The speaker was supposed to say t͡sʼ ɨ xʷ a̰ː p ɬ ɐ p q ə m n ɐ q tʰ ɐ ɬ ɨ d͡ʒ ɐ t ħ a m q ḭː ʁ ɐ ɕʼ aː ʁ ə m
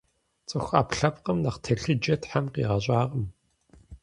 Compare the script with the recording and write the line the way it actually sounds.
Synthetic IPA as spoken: t͡sʼ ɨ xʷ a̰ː p ɬ ɐ p q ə m n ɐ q tʰ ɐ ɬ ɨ d͡ʒ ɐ t ħ a m q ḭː ʁ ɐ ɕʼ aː ʁ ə m

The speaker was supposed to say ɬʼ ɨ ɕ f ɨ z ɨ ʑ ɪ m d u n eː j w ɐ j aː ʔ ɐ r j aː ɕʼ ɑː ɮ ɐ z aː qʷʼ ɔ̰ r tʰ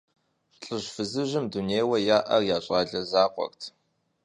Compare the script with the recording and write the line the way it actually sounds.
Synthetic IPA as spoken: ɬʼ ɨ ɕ f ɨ z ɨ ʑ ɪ m d u n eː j w ɐ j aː ʔ ɐ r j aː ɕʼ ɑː ɮ ɐ z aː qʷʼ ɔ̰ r tʰ

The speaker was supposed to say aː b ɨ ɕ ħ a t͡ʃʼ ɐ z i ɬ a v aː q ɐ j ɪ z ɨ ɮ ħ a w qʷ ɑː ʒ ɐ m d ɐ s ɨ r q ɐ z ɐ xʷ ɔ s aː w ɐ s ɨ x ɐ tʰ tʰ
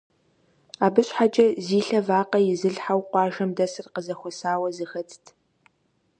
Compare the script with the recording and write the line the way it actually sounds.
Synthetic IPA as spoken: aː b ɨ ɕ ħ a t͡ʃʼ ɐ z iː ɬ ɐ v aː q ɐ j ɪ z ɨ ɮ ħ a w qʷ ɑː ʒ ɐ m d ɐ s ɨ r q ə z ɐ xʷ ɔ s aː w ɐ z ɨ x ɐ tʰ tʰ

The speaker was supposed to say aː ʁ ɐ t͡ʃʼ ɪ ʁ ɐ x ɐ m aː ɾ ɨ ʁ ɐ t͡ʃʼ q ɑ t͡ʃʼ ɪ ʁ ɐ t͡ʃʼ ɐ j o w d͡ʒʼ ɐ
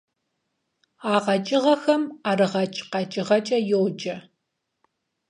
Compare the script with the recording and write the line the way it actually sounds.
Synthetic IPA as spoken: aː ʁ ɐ t͡ʃʼ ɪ ʁ ɐ x ɐ m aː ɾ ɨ ʁ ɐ t͡ʃʼ q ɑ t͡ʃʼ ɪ ʁ ɐ t͡ʃʼ ɐ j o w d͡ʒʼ ɐ

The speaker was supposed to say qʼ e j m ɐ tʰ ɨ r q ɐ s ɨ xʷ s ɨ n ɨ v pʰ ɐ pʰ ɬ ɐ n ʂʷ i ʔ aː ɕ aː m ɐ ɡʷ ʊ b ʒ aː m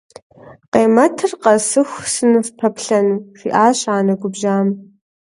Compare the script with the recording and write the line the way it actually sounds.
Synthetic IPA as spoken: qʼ e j m ɐ tʰ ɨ r q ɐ s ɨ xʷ s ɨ n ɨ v pʰ ɐ pʰ ɬ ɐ n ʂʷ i ʔ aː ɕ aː n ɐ ɡʷ ʊ b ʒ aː m

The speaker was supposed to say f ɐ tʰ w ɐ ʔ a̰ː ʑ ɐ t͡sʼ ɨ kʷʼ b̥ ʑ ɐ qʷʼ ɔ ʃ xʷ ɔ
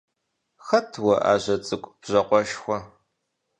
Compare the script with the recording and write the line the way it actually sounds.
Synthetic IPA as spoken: x ɐ tʰ w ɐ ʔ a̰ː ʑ ɐ t͡sʼ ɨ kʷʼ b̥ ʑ ɐ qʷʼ ɔ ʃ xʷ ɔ

